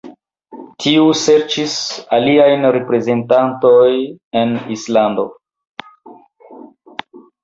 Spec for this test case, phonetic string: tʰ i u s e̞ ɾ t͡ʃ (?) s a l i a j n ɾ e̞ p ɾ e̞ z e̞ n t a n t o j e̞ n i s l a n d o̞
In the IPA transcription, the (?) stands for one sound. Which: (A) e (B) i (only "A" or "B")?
B